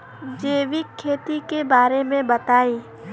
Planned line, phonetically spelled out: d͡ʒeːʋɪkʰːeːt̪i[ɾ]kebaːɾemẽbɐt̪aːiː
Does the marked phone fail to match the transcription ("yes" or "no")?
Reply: yes